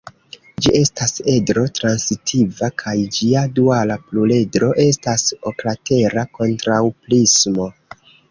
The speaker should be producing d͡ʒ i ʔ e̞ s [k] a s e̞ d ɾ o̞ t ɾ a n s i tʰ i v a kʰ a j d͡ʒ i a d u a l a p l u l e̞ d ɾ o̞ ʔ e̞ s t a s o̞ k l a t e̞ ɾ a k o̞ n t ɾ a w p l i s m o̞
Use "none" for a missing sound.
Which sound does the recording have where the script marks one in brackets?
t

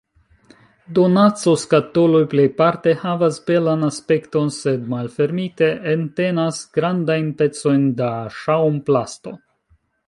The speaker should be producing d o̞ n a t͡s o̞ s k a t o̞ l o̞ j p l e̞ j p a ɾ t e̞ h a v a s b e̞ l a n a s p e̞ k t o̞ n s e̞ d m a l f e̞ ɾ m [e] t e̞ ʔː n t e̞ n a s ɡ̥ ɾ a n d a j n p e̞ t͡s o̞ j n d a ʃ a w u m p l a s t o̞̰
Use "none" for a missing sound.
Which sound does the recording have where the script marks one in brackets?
i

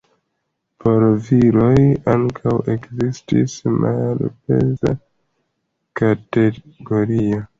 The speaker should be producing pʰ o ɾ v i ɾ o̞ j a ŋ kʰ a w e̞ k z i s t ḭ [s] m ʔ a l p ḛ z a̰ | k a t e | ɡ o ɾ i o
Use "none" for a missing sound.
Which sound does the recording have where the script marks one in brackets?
s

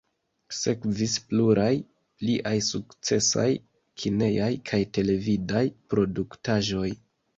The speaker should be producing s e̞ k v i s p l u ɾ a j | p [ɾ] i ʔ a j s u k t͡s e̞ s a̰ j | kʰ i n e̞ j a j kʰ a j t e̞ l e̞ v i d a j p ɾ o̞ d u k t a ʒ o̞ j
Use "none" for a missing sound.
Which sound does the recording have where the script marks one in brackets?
l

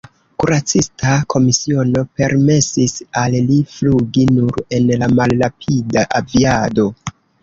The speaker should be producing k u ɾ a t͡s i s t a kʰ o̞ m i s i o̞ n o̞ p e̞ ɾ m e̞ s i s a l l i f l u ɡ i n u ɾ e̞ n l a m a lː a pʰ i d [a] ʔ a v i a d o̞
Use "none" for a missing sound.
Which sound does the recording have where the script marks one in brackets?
a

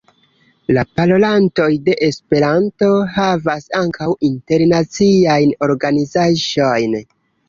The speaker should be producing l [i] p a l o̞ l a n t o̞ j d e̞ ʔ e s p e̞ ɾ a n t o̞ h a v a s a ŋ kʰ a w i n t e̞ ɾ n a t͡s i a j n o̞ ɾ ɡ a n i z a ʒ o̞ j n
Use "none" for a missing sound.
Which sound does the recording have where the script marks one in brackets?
a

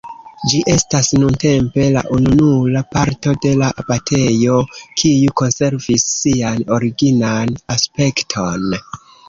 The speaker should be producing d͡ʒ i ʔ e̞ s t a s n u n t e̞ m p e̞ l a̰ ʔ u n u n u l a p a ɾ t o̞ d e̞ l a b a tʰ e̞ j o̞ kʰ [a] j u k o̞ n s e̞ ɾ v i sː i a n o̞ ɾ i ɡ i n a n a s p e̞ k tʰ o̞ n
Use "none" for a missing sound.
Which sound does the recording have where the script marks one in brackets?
i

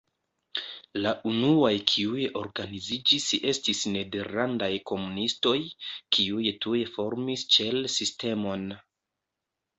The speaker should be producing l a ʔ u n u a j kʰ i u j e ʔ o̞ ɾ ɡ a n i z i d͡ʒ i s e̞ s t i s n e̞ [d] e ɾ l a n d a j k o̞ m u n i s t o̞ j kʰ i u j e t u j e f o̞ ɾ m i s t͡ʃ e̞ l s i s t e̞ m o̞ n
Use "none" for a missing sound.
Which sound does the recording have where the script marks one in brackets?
d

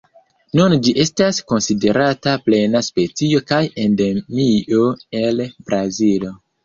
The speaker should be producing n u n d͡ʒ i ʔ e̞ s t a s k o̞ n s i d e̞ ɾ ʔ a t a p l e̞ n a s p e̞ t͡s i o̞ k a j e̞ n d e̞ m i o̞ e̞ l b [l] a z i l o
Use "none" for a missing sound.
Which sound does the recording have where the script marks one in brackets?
ɾ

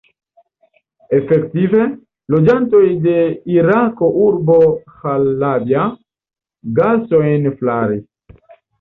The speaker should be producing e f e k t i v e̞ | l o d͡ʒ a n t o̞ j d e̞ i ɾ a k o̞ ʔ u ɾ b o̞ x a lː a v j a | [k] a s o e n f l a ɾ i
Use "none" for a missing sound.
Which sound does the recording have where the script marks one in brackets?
ɡ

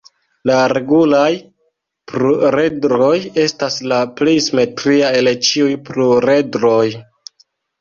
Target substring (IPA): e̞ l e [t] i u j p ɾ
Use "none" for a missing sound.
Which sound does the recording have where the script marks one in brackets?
t͡ʃ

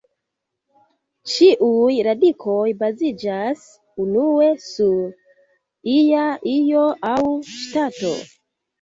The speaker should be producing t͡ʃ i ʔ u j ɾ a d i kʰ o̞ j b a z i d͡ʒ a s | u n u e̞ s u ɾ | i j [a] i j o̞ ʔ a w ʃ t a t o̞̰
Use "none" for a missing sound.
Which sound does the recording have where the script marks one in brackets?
a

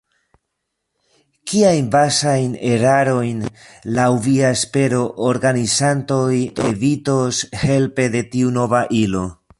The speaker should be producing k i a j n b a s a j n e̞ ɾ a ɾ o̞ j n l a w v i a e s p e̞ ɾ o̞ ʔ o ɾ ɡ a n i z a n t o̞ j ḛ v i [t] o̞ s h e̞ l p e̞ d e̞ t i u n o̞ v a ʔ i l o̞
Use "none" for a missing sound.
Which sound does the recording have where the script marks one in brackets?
t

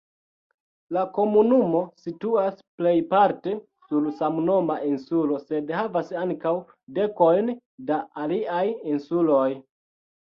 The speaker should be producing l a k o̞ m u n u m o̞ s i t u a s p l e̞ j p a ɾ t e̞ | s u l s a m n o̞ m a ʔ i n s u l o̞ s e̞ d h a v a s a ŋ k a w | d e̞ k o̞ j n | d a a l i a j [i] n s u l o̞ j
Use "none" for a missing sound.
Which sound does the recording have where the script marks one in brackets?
i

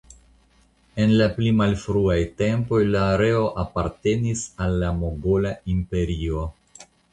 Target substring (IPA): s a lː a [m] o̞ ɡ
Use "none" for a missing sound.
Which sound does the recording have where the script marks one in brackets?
m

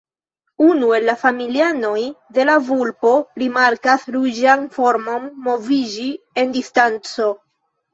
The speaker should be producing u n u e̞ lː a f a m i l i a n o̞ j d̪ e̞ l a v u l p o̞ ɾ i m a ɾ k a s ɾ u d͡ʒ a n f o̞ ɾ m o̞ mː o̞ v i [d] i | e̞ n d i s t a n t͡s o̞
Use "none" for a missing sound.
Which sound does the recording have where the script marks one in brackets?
d͡ʒ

